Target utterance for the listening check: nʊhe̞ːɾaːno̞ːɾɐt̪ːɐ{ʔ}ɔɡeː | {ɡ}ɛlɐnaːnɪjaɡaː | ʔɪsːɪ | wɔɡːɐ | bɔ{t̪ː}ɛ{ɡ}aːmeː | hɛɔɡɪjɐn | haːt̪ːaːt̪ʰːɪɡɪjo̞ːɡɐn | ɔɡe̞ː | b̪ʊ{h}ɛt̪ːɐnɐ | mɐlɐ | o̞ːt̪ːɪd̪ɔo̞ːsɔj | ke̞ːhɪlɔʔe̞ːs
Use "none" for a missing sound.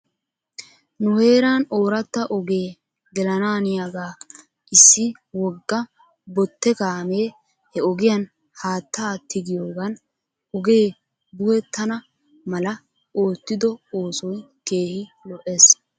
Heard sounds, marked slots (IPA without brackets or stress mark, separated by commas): ʔ, ɡ, t̪ː, k, h